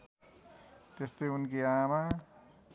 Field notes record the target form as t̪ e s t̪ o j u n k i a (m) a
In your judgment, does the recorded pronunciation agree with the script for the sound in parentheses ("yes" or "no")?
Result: yes